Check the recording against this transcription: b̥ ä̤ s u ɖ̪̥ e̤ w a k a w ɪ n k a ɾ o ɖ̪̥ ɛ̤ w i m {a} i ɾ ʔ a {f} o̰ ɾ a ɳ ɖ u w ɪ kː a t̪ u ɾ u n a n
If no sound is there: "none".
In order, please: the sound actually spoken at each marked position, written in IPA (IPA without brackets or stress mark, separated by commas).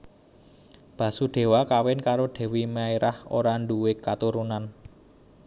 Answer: a, h